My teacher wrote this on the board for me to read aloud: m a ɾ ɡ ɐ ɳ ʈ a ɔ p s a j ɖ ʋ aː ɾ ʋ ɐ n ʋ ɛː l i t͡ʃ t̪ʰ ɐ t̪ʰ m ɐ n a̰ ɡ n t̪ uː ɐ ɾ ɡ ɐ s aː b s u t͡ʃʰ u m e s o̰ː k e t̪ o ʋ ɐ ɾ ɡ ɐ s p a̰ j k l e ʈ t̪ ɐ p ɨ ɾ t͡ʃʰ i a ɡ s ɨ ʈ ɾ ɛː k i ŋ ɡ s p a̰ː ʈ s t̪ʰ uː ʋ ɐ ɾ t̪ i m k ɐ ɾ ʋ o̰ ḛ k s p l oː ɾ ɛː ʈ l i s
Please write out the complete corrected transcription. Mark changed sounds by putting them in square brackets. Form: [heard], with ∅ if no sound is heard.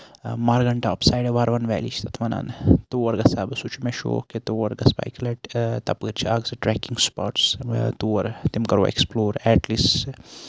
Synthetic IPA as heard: m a ɾ ɡ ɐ ɳ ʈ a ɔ p s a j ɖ ʋ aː ɾ ʋ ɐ n ʋ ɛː l i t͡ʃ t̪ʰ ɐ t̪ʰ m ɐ n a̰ [∅] n t̪ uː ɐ ɾ ɡ ɐ s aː b s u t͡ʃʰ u m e [ʃ] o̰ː k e t̪ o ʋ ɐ ɾ ɡ ɐ s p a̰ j k l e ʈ t̪ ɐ p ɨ ɾ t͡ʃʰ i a ɡ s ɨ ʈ ɾ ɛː k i ŋ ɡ s p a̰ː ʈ s [t̪] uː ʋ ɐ ɾ t̪ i m k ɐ ɾ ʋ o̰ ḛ k s p l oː ɾ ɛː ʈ l i s